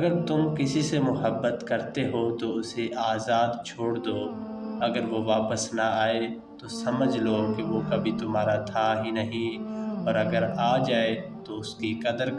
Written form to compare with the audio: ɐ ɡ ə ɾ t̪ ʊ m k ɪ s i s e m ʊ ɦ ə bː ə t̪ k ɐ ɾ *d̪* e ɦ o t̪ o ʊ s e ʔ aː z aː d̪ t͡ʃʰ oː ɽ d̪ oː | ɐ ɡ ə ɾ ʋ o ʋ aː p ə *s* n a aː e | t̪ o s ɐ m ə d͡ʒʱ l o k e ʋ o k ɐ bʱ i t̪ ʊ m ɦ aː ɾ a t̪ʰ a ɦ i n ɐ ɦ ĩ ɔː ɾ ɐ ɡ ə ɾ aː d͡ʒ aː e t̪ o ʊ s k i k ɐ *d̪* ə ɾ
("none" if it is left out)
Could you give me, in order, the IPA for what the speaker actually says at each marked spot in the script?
t̪, s, d̪

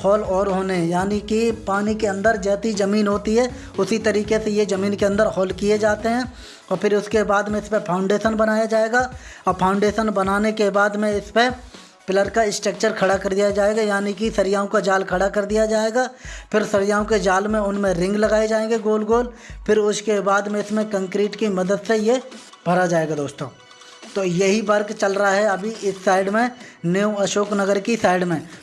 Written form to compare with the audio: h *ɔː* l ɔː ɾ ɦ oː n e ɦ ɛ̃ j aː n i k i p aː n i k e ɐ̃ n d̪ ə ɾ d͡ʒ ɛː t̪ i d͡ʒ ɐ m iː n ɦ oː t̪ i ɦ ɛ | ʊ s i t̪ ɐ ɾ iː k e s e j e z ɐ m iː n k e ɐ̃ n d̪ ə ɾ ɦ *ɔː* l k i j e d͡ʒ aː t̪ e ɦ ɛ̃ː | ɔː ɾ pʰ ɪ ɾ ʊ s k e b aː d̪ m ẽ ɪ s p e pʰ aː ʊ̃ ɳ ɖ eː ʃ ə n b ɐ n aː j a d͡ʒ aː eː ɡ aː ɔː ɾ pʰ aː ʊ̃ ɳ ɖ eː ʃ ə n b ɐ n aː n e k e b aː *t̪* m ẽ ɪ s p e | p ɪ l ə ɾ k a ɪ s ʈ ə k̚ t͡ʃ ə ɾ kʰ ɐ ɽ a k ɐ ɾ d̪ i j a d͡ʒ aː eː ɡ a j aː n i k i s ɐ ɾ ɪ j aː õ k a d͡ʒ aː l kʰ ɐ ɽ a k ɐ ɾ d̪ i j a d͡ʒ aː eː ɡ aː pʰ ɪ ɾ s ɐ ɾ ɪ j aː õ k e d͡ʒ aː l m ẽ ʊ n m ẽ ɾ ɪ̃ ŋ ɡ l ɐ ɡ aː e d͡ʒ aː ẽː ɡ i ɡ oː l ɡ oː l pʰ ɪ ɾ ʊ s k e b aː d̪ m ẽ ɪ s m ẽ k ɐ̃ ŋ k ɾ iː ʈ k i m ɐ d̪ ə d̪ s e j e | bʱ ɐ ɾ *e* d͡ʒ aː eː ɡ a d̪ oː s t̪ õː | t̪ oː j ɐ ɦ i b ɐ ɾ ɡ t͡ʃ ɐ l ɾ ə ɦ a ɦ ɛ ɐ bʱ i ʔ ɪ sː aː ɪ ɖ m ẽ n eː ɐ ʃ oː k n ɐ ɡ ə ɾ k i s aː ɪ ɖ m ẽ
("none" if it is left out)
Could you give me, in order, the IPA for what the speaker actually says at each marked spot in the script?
ɔː, ɔː, d̪, a

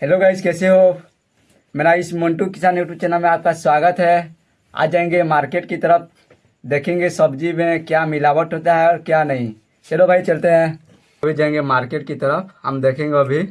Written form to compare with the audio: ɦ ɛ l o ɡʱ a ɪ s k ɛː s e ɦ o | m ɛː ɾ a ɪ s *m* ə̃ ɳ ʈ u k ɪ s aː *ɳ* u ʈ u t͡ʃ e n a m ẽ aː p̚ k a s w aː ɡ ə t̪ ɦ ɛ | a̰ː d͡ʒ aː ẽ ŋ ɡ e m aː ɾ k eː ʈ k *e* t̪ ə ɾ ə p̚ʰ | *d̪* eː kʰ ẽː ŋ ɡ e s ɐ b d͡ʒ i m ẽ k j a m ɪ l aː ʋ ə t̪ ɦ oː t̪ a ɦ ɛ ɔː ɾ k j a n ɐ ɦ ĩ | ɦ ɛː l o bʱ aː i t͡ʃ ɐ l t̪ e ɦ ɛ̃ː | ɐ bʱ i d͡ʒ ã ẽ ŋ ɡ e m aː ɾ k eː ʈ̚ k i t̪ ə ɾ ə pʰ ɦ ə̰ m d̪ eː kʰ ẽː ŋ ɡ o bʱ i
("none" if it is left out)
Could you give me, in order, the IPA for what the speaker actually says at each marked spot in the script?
m, n, i, d̪

